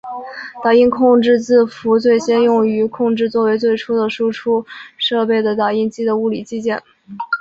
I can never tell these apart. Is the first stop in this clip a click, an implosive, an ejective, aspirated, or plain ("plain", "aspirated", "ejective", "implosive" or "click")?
plain